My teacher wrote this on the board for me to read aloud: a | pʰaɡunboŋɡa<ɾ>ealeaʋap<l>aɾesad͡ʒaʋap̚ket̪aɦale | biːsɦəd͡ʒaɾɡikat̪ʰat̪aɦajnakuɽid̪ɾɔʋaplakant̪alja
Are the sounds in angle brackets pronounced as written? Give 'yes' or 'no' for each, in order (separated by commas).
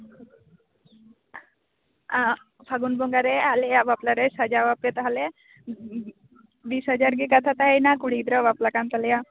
yes, yes